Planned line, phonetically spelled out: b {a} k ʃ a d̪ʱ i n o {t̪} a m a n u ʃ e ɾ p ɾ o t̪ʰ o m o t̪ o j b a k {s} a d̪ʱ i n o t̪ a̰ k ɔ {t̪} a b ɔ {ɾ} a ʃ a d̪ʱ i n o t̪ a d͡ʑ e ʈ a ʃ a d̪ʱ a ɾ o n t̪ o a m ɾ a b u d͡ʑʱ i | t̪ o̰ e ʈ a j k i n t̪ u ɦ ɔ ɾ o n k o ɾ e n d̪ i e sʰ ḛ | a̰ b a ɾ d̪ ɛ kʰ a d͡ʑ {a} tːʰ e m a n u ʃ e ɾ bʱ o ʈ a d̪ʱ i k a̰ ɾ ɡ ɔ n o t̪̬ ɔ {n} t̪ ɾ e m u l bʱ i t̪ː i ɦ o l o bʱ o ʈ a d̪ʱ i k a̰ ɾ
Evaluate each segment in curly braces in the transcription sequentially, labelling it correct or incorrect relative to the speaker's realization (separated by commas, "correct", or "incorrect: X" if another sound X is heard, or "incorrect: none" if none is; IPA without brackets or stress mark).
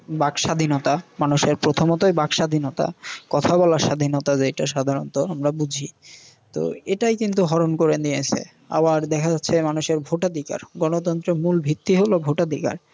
correct, correct, incorrect: ʃ, incorrect: t̪ʰ, incorrect: l, correct, correct